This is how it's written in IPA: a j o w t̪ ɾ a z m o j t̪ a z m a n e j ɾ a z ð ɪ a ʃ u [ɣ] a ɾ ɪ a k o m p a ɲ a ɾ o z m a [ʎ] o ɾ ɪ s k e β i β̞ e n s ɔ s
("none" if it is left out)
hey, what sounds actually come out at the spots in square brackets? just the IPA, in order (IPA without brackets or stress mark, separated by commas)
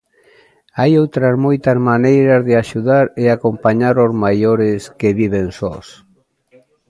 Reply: ð, j